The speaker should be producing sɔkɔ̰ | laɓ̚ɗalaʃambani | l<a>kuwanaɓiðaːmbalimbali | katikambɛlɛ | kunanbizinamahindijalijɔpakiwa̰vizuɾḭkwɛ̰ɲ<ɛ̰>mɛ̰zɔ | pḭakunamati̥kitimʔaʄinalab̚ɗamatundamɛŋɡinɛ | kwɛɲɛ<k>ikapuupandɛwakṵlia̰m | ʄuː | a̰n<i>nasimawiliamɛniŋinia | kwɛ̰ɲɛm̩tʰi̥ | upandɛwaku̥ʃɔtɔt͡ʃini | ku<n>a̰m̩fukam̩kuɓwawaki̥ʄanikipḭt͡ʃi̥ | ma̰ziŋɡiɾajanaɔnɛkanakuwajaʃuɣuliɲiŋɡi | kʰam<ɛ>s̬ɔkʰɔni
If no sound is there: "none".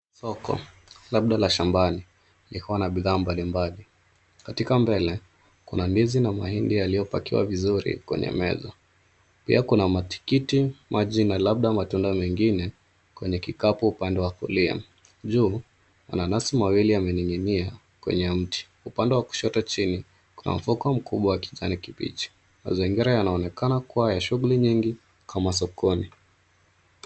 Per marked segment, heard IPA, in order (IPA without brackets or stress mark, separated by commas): i, ɛ̰, k, a, n, a